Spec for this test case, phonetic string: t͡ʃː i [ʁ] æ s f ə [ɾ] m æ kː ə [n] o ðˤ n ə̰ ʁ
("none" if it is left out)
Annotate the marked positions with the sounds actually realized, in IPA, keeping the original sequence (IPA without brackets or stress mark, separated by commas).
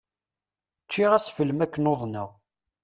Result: ʁ, l, n